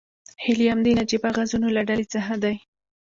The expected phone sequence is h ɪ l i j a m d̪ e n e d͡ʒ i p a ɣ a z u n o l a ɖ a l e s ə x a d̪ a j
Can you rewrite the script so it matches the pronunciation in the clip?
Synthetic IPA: h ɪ l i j a m d̪ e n a d͡ʒ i b a ɣ a z u n o l a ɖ a l e t͡s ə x a d̪ a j